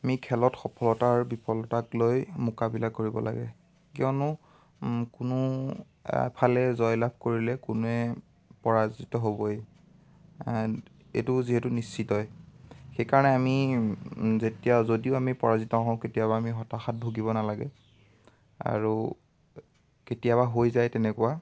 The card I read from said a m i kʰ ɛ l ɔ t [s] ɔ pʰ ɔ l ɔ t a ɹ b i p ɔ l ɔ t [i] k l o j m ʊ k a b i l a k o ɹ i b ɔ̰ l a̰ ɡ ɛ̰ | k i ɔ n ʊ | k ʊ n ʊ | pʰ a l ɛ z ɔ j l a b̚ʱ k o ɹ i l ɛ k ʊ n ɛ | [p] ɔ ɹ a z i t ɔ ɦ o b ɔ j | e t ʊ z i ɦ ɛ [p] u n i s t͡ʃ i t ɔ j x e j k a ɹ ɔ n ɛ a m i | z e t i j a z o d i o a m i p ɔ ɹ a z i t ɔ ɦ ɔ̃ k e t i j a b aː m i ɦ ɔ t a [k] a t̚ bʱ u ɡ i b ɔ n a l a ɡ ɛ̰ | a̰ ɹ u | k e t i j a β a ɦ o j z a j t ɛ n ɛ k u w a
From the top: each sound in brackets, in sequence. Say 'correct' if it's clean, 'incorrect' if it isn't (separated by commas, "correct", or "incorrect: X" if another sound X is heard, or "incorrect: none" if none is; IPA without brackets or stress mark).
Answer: incorrect: x, incorrect: a, correct, incorrect: t, incorrect: x